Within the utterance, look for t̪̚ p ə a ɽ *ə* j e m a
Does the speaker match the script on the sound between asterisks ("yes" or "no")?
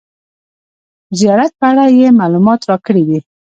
no